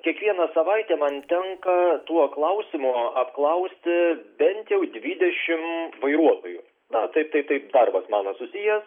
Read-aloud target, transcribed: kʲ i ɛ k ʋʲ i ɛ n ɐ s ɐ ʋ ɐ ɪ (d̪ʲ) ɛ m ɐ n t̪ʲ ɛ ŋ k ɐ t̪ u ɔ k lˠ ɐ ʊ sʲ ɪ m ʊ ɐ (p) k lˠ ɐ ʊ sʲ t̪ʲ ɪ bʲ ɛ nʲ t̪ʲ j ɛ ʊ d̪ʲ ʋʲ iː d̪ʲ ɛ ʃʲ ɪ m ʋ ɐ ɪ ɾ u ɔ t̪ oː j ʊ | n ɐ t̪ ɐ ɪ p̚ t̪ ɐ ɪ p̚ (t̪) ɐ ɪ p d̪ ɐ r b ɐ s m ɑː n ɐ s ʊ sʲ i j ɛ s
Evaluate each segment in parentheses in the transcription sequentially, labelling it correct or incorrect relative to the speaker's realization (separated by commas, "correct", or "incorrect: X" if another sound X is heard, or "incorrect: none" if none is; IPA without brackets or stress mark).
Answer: incorrect: t̪ʲ, correct, correct